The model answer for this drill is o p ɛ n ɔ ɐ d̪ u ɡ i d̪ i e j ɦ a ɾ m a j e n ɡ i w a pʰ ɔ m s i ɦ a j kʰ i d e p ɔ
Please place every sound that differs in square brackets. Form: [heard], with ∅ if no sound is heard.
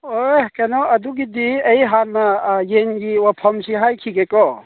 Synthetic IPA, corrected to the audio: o [k] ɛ n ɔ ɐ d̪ u ɡ i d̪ i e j ɦ a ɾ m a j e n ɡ i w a pʰ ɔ m s i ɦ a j kʰ i [ɡ] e [k] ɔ